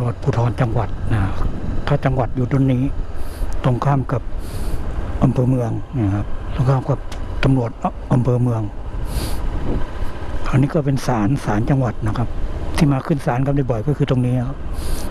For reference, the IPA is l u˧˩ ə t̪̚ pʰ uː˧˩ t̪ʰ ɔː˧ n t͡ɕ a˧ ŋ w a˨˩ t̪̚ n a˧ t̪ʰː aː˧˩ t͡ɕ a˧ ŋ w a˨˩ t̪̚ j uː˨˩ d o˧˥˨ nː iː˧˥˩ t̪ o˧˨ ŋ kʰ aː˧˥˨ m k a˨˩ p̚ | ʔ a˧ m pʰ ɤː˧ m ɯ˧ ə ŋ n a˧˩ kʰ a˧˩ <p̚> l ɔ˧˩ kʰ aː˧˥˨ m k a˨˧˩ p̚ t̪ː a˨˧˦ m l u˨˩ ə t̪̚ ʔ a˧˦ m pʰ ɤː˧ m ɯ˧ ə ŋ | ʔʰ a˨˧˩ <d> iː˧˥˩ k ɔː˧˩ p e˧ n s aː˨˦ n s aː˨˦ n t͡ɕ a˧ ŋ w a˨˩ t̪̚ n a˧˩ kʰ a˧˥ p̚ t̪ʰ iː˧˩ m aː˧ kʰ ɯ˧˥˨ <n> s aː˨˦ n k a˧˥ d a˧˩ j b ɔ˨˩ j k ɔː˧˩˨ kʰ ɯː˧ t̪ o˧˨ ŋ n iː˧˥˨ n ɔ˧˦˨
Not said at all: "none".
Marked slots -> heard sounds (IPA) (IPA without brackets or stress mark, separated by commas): p̚, n, n